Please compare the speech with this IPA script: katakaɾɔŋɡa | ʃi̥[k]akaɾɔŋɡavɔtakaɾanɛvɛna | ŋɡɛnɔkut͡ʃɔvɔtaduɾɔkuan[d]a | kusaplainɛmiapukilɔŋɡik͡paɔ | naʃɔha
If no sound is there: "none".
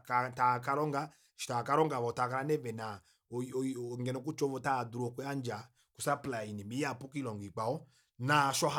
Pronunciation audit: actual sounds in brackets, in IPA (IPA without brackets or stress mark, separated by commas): t, d͡ʒ